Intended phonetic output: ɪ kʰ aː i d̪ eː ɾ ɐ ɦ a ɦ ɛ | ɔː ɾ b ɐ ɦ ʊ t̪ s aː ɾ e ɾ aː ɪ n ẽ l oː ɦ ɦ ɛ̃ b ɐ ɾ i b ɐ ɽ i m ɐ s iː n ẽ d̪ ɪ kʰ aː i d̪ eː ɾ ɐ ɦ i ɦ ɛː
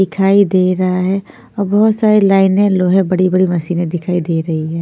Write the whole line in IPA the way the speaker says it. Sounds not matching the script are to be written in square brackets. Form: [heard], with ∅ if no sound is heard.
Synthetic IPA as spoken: ɪ kʰ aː i d̪ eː ɾ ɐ ɦ a ɦ ɛ | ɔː ɾ b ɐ ɦ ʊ t̪ s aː ɾ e [l] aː ɪ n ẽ l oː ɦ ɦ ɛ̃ b ɐ [ɽ] i b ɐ ɽ i m ɐ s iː n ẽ d̪ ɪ kʰ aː i d̪ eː ɾ ɐ ɦ i ɦ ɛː